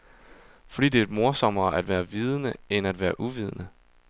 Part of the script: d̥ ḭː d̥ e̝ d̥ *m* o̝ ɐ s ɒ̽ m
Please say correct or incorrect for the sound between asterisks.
correct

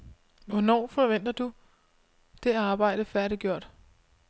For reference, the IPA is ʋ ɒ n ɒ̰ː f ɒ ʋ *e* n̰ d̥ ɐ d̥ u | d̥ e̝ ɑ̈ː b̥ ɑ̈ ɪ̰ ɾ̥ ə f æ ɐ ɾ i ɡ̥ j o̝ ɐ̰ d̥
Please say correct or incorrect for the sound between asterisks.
correct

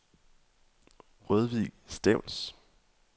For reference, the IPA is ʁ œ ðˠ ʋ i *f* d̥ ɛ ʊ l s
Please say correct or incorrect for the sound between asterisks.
incorrect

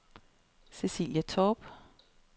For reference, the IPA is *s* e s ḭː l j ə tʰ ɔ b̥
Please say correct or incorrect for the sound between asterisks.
correct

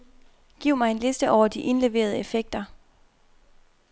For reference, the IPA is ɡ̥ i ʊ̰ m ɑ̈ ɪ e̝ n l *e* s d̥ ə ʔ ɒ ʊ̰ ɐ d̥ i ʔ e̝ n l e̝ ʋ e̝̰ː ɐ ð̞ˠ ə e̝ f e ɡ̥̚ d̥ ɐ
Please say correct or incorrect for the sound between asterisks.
correct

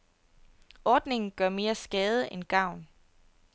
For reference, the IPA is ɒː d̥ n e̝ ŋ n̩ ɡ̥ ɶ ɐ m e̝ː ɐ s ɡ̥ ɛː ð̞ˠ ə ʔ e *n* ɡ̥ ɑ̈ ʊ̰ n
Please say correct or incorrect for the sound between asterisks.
correct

